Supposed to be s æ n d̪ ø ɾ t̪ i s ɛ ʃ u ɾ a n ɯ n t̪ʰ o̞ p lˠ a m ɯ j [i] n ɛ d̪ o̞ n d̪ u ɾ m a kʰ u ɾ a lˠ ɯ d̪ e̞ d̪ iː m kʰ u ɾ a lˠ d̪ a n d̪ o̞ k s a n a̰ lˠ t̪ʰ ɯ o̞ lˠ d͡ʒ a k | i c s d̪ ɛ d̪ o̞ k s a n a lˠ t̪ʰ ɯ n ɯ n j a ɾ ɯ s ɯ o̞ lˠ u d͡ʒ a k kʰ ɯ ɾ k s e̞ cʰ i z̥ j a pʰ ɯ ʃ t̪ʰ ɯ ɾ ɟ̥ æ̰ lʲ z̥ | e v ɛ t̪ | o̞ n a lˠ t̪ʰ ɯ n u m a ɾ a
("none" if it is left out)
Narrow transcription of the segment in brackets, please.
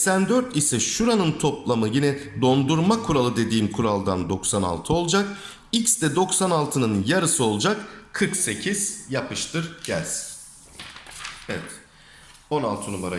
i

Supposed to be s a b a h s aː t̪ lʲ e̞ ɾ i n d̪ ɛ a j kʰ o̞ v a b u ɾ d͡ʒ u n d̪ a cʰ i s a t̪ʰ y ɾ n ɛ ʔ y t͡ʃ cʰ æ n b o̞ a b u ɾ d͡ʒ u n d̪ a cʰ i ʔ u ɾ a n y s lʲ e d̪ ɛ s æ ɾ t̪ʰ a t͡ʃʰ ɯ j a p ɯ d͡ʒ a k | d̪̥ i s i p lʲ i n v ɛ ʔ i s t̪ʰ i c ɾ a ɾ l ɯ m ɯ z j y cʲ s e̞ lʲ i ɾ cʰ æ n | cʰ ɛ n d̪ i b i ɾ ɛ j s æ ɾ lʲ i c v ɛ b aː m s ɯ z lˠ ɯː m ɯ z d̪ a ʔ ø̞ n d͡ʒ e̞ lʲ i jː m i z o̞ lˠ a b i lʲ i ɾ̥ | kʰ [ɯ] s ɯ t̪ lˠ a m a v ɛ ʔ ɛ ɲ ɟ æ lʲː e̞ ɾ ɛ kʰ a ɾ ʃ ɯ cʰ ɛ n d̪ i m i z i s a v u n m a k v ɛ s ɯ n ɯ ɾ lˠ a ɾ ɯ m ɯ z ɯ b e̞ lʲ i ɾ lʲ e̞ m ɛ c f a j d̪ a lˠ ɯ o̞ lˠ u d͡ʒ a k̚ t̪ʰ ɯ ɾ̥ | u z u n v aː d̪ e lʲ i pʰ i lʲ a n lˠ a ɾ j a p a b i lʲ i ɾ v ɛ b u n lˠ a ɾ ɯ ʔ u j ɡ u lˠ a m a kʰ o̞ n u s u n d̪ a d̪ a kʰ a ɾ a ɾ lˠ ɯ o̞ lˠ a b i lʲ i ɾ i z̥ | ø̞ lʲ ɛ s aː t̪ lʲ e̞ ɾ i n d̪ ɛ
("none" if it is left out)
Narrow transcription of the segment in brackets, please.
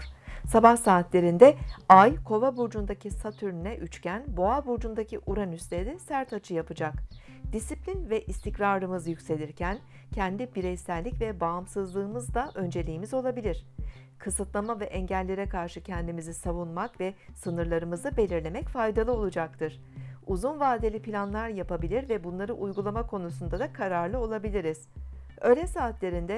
ɯ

